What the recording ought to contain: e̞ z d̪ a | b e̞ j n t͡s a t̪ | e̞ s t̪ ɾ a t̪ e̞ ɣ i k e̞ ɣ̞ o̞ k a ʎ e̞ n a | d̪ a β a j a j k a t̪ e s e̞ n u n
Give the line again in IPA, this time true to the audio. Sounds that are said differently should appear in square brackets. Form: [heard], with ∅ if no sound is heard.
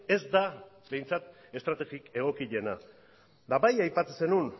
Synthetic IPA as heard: e̞ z d̪ a | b e̞ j n t͡s a t̪ | e̞ s t̪ ɾ a t̪ e̞ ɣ i k e̞ ɣ̞ o̞ k [i] ʎ e̞ n a | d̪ a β a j a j [p] a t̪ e s e̞ n u n